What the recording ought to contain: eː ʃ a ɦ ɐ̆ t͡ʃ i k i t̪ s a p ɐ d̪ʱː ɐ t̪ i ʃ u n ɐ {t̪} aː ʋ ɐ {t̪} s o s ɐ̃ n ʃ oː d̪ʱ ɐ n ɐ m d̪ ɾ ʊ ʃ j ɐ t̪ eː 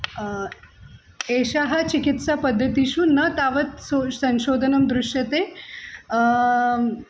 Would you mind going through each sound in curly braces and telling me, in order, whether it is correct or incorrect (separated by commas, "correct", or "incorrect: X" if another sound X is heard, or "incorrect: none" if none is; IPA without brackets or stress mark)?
correct, correct